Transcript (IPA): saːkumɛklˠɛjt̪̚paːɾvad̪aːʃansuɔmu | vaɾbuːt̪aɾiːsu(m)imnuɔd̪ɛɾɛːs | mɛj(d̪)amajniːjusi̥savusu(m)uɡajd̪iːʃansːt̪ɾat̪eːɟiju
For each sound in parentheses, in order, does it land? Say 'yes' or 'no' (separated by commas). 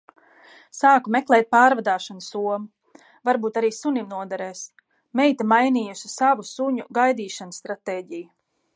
no, no, no